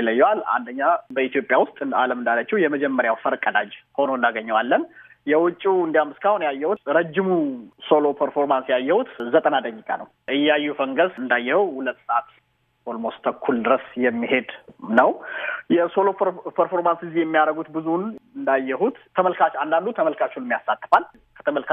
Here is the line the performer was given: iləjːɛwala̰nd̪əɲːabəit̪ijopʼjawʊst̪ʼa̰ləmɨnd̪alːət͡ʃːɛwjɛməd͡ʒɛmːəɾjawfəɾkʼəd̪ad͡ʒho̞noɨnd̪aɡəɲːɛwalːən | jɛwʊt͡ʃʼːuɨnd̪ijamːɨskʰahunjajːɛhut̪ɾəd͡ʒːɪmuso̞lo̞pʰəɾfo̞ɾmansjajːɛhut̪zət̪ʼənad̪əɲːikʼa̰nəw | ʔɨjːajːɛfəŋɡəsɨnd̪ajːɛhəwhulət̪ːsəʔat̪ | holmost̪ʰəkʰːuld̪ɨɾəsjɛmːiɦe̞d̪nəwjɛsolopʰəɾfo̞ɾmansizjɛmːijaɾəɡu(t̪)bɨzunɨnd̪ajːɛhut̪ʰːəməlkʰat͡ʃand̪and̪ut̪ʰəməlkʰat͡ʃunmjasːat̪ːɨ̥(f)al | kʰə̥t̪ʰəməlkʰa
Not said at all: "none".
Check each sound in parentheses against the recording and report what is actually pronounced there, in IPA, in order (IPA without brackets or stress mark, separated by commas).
t̪, f